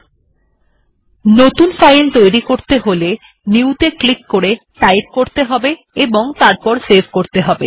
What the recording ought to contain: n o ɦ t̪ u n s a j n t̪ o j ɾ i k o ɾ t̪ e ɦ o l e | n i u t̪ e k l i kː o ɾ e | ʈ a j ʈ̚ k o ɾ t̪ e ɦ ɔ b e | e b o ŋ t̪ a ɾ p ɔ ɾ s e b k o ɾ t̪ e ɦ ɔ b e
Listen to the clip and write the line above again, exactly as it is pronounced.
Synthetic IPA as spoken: n o t̪ u n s a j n t̪ o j ɾ i k o ɾ t̪ e ɦ o l e | n i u t̪ e k l i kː o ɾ e | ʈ a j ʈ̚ k o ɾ t̪ e ɦ ɔ b e | e b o ŋ t̪ a ɾ p ɔ ɾ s e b k o ɾ t̪ e ɦ ɔ b e